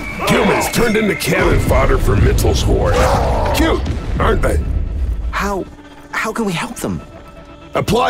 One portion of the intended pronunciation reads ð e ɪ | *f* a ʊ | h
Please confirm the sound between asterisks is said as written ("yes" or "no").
no